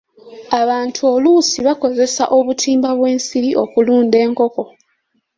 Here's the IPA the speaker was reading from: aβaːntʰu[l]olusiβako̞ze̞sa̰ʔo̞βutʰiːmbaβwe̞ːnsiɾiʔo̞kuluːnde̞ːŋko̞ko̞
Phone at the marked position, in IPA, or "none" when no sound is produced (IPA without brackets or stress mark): none